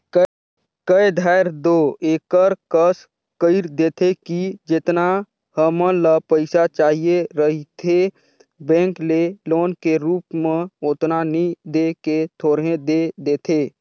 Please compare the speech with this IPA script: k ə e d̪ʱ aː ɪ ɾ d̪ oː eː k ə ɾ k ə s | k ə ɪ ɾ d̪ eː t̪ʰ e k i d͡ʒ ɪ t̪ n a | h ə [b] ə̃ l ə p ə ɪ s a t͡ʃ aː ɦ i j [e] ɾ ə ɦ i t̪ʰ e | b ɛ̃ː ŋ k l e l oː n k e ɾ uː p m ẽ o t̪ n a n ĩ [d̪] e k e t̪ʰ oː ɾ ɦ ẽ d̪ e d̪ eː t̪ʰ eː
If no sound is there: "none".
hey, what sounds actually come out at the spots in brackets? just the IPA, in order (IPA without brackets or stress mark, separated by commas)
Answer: m, e, d̪